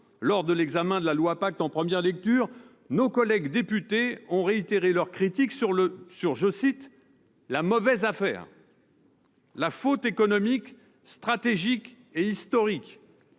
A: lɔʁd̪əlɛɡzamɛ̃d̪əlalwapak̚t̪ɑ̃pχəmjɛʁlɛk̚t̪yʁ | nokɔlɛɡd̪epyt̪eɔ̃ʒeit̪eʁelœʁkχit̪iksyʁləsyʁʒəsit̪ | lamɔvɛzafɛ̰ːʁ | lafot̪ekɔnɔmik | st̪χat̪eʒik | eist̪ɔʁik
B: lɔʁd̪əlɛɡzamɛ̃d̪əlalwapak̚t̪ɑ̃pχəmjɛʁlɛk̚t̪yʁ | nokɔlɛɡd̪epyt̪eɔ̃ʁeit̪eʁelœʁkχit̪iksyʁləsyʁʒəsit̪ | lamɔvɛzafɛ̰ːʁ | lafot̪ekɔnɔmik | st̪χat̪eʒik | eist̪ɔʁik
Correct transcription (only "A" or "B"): B